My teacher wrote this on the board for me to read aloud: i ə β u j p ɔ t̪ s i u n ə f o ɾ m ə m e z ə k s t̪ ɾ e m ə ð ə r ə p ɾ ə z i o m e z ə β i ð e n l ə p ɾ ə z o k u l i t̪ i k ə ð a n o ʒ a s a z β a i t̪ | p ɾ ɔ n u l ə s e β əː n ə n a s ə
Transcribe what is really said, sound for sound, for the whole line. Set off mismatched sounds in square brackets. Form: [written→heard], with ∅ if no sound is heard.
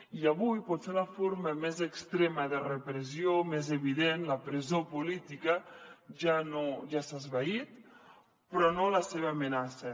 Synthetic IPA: i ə β u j p ɔ t̪ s [i→e] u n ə f o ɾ m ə m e z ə k s t̪ ɾ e m ə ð ə r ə p ɾ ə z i o m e z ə β i ð e n l ə p ɾ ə z o [k→p] u l i t̪ i k ə [ð→ʒ] a n o ʒ a s a z β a i t̪ | p ɾ ɔ n [u→o] l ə s e β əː [n→m] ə n a s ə

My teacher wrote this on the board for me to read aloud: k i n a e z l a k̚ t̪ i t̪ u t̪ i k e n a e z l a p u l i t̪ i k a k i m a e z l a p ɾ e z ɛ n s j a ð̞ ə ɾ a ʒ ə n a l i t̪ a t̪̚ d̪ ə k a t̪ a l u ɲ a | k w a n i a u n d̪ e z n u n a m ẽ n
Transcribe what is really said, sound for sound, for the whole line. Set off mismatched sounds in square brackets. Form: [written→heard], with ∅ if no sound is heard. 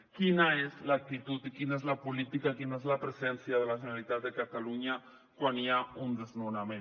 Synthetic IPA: k i n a e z l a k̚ t̪ i t̪ u t̪ i k [e→i] n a e z l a p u l i t̪ i k a k i [m→n] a e z l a p ɾ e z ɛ n s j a ð̞ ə [ɾ→l] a ʒ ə n a l i t̪ a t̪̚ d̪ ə k a t̪ a l u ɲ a | k w a n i a u n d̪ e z n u n a m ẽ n

